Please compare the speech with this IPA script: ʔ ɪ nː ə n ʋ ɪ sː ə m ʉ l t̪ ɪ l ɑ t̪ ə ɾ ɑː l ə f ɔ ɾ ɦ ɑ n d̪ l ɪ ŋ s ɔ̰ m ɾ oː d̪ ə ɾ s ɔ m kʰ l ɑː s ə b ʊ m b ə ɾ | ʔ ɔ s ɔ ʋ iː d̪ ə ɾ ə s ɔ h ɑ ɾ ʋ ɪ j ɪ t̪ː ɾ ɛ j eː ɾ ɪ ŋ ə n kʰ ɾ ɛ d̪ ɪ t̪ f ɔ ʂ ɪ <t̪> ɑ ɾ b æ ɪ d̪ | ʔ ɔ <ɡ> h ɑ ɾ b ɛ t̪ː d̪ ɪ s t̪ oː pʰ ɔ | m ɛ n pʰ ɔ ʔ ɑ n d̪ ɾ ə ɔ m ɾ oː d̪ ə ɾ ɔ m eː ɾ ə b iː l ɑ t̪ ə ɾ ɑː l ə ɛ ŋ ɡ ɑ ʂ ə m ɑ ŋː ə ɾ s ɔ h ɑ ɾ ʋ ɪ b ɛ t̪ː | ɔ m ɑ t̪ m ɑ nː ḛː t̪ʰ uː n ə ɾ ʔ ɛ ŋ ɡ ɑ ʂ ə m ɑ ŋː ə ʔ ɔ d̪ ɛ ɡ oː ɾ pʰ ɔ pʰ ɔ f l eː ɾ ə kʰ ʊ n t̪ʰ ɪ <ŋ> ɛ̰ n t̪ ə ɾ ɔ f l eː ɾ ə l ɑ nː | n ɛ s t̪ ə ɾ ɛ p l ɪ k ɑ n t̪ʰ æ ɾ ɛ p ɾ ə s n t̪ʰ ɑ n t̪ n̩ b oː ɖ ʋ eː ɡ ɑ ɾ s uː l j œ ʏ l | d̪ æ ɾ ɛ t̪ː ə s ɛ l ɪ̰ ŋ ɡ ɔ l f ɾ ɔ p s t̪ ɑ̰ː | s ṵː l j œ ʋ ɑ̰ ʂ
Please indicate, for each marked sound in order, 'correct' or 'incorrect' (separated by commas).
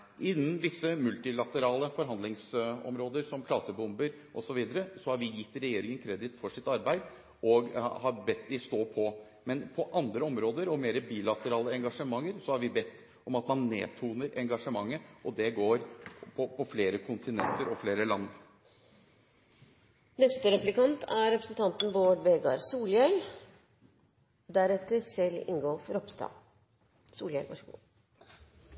correct, correct, incorrect